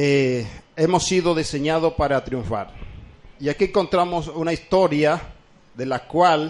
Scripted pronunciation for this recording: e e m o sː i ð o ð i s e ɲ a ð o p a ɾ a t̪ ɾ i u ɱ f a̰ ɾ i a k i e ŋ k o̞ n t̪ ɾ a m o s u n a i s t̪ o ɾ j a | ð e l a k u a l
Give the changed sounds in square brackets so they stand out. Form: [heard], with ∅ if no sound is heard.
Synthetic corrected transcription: e e m o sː i ð o ð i s e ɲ a ð o p a ɾ a t̪ ɾ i u ɱ f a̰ ɾ i a k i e ŋ k o̞ n t̪ ɾ a m o s u n a i s t̪ o ɾ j a | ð e l a k [w] a l